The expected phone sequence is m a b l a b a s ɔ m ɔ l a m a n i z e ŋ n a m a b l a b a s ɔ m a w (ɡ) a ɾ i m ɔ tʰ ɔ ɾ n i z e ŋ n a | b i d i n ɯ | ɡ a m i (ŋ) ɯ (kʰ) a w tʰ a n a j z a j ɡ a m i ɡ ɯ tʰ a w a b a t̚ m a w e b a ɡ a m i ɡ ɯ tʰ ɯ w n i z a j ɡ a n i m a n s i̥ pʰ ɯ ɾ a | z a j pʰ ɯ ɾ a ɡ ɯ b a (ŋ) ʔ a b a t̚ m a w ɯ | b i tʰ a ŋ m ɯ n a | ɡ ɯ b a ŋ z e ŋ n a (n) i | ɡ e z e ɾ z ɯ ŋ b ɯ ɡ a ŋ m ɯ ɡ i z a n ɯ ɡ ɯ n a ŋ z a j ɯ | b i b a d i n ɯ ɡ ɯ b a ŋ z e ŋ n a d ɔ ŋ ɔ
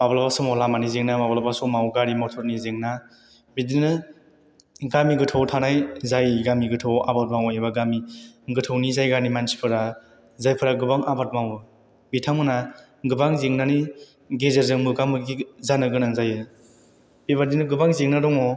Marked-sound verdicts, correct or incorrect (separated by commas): correct, incorrect, incorrect, correct, correct